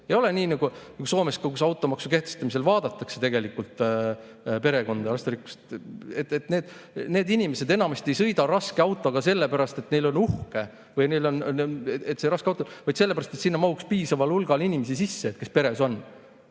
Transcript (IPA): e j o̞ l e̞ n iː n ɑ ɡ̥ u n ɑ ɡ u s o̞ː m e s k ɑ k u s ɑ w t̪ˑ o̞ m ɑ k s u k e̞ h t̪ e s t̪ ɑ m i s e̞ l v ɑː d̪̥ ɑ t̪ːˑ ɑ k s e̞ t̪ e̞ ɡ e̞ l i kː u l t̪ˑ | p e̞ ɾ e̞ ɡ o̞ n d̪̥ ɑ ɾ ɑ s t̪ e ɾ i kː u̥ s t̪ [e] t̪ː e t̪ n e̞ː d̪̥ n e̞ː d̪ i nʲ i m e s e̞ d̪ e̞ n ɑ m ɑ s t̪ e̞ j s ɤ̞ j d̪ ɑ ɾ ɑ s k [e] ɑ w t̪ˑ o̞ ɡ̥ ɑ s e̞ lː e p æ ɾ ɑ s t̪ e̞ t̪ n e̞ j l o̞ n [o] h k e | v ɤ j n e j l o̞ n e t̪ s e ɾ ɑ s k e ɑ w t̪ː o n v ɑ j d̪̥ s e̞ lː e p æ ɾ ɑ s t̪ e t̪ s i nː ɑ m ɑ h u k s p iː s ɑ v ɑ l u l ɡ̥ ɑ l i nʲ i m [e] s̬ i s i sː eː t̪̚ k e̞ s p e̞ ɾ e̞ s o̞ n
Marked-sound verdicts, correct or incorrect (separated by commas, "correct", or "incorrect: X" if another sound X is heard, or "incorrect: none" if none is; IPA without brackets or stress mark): correct, correct, incorrect: u, correct